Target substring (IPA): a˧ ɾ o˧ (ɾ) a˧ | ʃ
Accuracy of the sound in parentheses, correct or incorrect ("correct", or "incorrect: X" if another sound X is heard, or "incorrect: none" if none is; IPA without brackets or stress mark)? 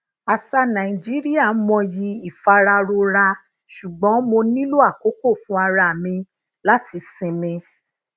correct